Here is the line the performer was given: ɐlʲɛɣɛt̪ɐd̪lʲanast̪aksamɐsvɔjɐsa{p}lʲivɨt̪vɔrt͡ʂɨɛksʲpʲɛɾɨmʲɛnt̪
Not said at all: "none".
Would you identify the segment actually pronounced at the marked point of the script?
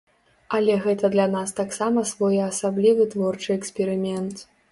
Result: b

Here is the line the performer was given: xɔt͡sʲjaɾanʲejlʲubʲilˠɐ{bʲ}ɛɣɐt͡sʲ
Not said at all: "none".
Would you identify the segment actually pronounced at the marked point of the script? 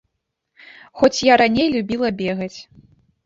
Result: bʲ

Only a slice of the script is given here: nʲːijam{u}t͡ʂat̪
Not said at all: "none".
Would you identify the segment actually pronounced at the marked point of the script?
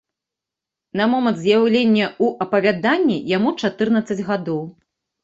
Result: u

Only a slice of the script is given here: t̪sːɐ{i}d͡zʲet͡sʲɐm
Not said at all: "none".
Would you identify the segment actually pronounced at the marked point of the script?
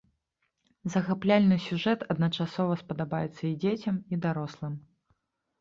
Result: i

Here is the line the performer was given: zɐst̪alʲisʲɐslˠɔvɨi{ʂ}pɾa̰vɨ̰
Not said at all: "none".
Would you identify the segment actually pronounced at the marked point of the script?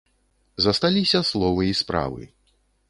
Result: s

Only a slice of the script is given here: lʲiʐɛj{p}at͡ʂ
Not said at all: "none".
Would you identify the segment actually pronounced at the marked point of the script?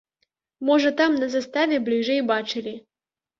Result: b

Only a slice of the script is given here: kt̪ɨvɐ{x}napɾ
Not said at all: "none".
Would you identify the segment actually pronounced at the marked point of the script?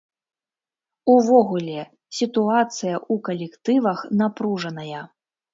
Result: x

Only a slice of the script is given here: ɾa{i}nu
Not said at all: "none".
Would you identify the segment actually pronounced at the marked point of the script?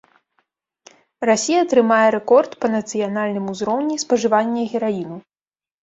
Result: i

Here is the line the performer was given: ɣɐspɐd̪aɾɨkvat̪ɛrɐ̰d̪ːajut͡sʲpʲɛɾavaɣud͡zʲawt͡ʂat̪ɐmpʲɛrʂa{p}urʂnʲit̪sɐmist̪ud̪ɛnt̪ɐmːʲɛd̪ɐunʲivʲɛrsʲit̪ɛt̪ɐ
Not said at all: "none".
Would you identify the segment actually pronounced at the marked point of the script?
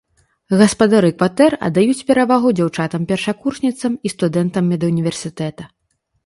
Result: k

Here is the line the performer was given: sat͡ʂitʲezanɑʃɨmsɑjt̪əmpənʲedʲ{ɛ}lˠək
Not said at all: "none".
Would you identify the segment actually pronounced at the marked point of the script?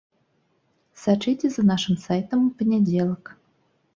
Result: e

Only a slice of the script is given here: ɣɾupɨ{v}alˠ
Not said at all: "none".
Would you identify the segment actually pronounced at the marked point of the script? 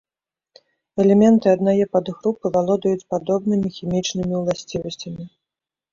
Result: v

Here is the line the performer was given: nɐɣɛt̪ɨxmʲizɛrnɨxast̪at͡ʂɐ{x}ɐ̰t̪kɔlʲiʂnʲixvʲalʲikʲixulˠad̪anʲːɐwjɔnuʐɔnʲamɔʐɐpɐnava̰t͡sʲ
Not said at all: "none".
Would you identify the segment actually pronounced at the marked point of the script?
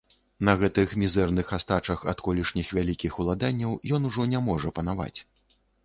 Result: x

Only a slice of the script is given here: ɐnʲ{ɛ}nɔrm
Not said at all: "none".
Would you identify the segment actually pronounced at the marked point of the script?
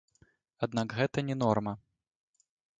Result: ɛ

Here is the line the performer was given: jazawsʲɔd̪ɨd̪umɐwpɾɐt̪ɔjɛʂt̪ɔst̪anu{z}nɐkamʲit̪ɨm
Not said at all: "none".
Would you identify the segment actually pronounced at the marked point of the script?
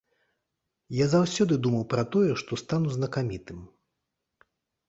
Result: z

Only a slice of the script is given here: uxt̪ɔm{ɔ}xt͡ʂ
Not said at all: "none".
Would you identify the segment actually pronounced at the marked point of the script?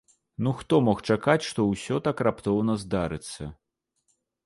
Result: ɔ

